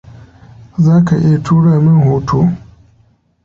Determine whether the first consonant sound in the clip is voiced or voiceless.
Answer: voiced